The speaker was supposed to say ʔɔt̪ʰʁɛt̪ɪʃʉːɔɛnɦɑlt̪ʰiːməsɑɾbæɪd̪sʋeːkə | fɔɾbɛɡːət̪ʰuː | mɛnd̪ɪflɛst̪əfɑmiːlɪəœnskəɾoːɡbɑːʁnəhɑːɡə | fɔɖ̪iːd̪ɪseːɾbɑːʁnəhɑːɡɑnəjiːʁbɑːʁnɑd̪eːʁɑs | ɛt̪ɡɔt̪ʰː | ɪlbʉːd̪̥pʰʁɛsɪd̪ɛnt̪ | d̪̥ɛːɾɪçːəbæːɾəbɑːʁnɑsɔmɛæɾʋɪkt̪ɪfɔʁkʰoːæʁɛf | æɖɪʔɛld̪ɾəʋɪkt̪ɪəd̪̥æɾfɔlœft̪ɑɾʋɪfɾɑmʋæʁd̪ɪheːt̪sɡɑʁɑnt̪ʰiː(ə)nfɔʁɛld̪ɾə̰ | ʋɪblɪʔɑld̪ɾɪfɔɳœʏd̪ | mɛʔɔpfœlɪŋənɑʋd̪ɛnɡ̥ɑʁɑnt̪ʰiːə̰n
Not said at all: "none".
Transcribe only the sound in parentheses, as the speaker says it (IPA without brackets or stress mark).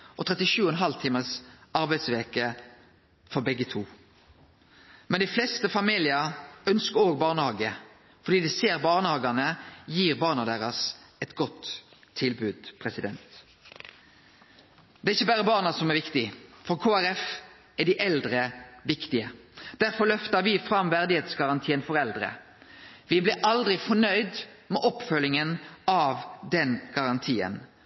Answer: ə